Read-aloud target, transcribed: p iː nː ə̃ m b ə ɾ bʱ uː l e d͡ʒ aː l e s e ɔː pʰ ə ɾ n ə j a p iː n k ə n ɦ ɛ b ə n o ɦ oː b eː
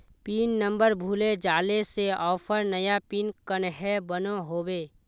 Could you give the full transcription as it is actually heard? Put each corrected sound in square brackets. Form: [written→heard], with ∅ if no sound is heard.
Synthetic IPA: p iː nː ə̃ m b ə ɾ bʱ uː l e d͡ʒ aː l e s e ɔː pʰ ə ɾ n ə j a p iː n k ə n ɦ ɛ b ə n o ɦ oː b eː